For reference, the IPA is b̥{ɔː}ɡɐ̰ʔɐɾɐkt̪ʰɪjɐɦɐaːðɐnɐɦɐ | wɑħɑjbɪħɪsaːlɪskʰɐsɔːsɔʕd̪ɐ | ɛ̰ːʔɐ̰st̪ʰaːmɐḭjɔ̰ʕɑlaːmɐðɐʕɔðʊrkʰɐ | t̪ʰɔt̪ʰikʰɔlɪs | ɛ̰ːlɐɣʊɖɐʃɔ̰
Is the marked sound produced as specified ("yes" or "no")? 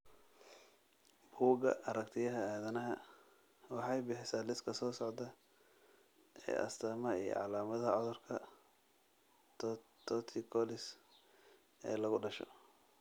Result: no